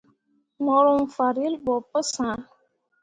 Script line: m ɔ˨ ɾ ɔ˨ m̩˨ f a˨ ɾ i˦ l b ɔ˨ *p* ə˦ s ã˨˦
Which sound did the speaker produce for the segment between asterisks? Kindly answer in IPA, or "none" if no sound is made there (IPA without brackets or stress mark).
p